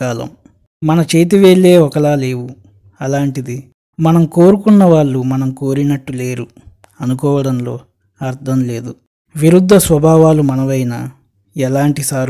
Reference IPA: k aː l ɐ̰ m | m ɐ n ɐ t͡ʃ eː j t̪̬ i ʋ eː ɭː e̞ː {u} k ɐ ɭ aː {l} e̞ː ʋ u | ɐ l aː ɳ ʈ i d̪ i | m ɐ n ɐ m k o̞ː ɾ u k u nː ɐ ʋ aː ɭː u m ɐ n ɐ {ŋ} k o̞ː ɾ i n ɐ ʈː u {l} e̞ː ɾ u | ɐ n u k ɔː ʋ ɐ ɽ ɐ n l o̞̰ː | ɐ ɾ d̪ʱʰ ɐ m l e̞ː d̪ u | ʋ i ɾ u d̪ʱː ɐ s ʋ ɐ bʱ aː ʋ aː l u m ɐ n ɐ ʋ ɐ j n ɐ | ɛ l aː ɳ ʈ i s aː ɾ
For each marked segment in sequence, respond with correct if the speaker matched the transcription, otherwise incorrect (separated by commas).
incorrect, correct, incorrect, correct